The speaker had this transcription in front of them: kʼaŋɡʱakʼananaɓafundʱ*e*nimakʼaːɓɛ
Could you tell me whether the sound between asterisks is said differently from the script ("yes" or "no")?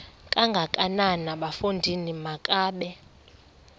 yes